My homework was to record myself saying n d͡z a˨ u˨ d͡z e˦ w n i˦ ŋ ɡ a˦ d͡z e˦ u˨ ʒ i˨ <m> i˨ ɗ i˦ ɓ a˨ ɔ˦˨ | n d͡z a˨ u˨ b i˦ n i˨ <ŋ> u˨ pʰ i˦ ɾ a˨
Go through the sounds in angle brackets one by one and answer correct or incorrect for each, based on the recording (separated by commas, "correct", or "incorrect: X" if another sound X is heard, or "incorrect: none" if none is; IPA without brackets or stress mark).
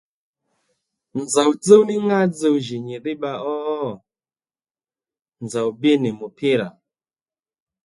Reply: incorrect: ɲ, incorrect: m